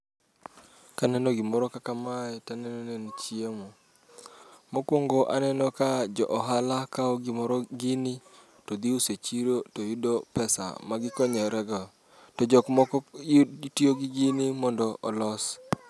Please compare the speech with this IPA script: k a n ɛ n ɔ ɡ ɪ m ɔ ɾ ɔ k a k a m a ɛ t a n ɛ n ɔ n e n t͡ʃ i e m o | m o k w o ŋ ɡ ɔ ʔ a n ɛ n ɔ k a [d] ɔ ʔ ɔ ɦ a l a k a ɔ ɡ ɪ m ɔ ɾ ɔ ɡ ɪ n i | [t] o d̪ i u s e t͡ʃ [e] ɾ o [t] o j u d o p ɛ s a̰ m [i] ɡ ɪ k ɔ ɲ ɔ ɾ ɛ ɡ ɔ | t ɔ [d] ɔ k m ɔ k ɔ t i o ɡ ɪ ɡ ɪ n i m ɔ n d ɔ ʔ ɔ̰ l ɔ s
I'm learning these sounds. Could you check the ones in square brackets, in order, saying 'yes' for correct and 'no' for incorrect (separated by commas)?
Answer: no, yes, no, yes, no, no